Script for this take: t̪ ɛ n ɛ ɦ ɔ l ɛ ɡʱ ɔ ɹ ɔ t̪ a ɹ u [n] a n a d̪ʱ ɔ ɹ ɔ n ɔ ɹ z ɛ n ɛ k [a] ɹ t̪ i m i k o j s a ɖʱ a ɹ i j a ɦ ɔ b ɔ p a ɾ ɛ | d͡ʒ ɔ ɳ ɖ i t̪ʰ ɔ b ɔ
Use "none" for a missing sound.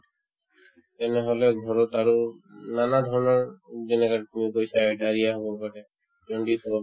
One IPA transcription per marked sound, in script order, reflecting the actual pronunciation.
n, a

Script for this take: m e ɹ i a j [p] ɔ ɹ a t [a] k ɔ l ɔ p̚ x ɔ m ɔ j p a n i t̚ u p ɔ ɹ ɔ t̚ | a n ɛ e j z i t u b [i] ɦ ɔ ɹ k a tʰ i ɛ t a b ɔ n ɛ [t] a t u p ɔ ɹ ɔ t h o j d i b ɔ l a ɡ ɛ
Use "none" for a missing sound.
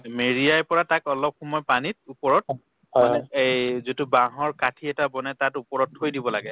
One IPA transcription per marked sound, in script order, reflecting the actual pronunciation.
p, a, a, t

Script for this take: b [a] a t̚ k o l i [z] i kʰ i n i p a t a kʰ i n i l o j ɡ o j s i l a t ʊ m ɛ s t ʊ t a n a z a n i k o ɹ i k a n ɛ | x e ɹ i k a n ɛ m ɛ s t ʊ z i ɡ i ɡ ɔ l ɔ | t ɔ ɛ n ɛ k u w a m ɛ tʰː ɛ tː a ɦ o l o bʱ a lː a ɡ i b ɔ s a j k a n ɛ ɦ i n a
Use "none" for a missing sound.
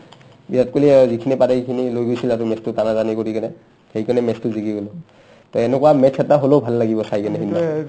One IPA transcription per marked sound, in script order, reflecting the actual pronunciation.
i, z

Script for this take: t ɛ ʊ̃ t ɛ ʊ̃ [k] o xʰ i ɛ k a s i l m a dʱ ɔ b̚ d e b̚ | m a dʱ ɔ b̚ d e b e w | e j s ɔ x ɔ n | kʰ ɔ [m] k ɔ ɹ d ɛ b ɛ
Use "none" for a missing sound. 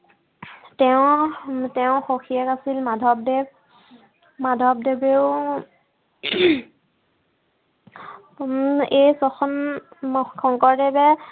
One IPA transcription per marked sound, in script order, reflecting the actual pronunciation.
x, ŋ

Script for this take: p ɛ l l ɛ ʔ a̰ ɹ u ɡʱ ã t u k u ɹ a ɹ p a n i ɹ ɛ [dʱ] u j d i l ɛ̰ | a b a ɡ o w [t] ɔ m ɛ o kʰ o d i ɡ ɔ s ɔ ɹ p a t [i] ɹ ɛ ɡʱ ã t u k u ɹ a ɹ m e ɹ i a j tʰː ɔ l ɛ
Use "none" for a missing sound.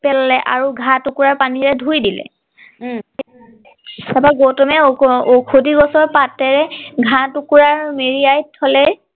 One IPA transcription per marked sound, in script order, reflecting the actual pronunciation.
dʱ, t, ɛ

